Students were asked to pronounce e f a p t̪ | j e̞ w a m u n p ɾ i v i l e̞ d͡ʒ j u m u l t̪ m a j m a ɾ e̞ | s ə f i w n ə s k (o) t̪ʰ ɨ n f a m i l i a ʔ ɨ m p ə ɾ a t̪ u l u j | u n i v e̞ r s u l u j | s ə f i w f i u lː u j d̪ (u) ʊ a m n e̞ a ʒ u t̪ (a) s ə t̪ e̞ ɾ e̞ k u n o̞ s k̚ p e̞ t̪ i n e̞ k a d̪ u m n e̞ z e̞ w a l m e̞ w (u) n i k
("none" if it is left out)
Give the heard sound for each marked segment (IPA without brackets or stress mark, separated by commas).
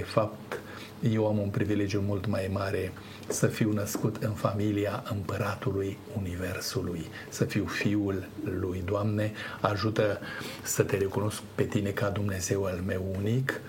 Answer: u, o, ə, u